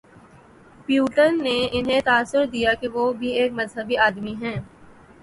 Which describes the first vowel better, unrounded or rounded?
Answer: rounded